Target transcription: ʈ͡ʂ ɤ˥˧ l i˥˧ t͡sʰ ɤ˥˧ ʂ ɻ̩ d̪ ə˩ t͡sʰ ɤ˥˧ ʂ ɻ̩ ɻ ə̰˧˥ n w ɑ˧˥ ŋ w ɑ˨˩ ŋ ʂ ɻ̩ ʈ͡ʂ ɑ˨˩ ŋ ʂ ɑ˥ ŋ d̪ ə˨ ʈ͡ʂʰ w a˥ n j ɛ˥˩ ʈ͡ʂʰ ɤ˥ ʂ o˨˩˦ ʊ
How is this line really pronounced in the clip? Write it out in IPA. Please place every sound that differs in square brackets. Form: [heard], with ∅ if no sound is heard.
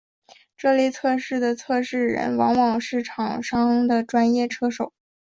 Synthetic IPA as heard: ʈ͡ʂ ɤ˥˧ l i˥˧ t͡sʰ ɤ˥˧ ʂ ɻ̩ d̪ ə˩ t͡sʰ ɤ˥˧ ʂ ɻ̩ ɻ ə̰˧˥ n w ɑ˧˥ ŋ w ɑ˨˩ ŋ ʂ ɻ̩ [ʈ͡ʂʰ] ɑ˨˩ ŋ ʂ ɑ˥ ŋ d̪ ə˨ [ʈ͡ʂ] w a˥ n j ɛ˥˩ ʈ͡ʂʰ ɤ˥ ʂ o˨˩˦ ʊ